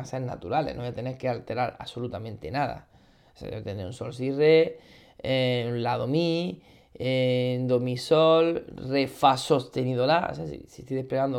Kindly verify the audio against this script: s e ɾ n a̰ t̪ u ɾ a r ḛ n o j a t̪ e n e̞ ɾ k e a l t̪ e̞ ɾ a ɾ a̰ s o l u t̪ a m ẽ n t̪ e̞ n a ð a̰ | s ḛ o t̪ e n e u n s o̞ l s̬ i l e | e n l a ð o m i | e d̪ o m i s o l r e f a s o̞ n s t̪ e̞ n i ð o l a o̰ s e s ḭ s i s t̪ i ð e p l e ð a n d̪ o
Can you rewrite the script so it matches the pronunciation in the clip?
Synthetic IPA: s e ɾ n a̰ t̪ u ɾ a l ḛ n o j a t̪ e n e̞ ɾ k e a l t̪ e̞ ɾ a ɾ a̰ s o l u t̪ a m ẽ n t̪ e̞ n a ð a̰ | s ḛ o t̪ e n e u n s o̞ l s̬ i r e | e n l a ð o m i | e d̪ o m i s o l r e f a s o̞ s t̪ e̞ n i ð o l a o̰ s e s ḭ s i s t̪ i ð e p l e ɣ a n d̪ o